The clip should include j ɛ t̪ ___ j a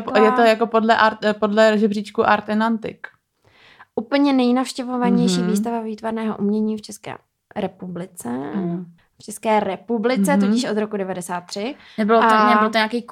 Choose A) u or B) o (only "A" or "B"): B